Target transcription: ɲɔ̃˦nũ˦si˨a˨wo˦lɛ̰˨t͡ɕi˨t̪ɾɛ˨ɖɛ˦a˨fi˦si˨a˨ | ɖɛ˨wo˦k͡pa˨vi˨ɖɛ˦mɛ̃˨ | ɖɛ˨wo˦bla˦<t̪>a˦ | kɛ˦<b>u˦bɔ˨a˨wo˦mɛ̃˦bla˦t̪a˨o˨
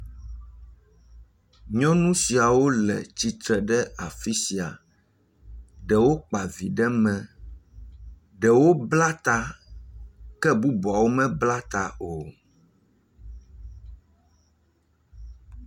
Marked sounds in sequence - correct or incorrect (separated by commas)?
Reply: correct, correct